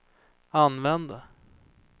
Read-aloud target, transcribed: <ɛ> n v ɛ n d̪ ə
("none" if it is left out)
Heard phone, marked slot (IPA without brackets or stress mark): a